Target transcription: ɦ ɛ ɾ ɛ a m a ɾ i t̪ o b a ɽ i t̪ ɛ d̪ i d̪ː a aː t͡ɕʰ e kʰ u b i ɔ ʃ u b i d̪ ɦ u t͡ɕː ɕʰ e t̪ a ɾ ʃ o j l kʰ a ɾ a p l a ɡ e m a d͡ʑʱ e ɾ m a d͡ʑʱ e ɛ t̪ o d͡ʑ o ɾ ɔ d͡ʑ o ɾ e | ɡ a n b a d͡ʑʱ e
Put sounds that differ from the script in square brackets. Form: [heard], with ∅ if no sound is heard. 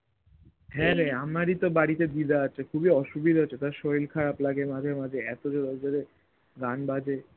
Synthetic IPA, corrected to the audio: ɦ ɛ ɾ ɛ a m a ɾ i t̪ o b a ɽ i t̪ [e] d̪ i [d̪] a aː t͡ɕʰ e kʰ u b i ɔ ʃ u b i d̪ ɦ [o] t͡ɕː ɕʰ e t̪ a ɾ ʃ o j l kʰ a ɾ a p l a ɡ e m a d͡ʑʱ e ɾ m a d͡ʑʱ e ɛ t̪ o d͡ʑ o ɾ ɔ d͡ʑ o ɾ e | ɡ a n b a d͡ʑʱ e